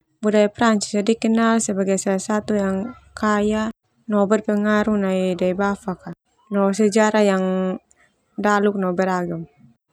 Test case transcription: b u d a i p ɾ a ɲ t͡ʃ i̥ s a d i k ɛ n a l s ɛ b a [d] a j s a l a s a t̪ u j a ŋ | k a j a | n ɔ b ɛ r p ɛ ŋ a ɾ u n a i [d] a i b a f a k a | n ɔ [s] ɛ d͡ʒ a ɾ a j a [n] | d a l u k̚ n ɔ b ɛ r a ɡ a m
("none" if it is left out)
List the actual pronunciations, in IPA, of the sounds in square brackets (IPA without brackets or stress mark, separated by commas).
ɡ, d, s, ŋ